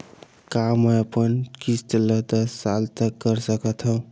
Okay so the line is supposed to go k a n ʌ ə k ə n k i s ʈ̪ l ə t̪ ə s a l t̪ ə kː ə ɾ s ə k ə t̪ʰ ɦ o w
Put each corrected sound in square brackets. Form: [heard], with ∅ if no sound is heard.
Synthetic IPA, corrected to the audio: k a [m] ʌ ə [p] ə n k i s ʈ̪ l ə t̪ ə s a l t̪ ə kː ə ɾ s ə k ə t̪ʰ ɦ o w